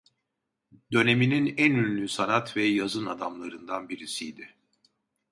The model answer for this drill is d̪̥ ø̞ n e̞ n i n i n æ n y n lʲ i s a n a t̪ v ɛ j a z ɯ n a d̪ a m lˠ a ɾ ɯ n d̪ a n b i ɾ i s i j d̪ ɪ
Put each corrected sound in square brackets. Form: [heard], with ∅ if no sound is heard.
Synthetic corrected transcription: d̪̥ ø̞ n e̞ [m] i n i n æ n y n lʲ [y] s a n a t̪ v ɛ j a z ɯ n a d̪ a m lˠ a ɾ ɯ n d̪ a n b i ɾ i s i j d̪ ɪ